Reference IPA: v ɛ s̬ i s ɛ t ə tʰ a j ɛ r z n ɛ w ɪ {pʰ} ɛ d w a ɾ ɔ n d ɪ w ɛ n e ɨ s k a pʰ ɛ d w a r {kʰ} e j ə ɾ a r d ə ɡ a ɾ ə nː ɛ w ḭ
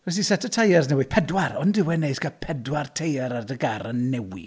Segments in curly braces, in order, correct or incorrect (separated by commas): correct, incorrect